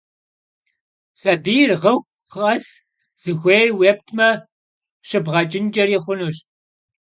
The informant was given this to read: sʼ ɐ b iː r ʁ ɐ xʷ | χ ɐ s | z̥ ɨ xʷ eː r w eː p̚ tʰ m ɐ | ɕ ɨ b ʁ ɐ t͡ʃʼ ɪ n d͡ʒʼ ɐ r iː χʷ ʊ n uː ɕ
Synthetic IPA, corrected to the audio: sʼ ɐ b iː r ʁ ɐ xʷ | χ ɐ s | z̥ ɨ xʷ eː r w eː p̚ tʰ m ɐ | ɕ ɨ b ʁ ɐ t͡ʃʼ ɪ n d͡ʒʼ ɐ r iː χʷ ʊ n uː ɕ